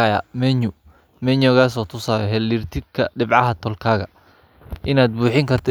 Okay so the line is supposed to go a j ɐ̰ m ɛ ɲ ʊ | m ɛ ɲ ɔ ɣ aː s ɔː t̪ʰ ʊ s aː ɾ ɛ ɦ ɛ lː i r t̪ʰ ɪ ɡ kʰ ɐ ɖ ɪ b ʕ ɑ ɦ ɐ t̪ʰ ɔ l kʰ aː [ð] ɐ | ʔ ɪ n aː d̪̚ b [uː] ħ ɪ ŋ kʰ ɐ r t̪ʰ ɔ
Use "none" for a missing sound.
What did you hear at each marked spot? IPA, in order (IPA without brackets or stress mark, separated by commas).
ɣ, uː